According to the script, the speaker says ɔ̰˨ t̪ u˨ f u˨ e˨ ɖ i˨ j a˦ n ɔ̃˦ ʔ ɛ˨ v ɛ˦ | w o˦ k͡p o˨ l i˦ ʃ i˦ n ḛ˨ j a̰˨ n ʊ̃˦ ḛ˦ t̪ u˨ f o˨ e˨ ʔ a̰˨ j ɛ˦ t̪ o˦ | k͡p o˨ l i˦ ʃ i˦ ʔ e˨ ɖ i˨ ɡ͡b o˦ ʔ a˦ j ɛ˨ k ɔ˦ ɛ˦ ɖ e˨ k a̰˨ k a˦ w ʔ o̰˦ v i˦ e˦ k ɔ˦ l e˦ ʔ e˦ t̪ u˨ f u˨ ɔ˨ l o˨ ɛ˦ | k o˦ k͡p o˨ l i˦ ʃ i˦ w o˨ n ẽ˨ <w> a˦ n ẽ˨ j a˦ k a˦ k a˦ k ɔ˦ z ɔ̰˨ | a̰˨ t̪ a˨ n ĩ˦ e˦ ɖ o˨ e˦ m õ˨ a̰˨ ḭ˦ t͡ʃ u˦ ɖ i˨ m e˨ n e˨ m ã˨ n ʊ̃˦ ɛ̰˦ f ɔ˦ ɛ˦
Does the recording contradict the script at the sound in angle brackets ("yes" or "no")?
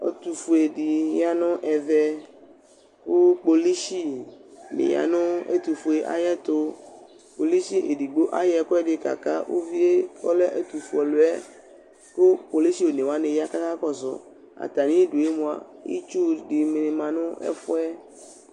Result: no